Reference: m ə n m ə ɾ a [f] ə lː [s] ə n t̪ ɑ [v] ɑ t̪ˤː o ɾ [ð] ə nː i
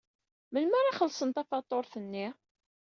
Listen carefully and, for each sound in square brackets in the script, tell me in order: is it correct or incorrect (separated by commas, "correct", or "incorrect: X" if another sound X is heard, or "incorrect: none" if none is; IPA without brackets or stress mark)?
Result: incorrect: χ, correct, incorrect: f, incorrect: θ